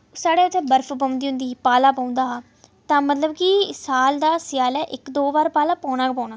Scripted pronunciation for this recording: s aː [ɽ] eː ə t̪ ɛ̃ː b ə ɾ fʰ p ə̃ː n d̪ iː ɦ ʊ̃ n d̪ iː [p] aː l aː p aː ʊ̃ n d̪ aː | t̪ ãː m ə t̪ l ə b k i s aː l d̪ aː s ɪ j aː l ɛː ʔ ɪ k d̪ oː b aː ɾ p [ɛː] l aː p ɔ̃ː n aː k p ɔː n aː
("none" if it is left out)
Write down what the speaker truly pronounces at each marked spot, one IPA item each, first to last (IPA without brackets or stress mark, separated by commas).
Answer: ɽ, p, aː